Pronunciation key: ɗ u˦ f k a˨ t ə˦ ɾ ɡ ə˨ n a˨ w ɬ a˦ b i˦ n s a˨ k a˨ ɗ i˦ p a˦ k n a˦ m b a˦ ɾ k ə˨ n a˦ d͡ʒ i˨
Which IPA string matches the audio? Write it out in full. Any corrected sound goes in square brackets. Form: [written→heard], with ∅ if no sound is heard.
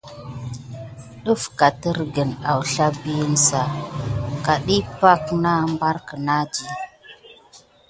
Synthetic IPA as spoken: ɗ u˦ f k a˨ t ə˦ ɾ ɡ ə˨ n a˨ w ɬ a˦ b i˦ n s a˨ k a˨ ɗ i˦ p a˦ k n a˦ m b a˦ ɾ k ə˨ n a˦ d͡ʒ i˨